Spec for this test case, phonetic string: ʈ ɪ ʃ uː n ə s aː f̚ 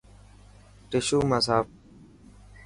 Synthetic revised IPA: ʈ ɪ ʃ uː m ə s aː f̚